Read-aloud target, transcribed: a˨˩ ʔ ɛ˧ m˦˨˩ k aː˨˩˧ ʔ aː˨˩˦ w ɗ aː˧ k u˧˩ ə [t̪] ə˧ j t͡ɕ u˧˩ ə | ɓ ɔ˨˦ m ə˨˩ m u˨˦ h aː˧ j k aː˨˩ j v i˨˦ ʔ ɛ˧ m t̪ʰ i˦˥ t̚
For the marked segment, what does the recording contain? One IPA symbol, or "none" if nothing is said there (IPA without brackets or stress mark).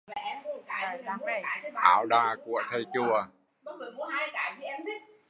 t̪ʰ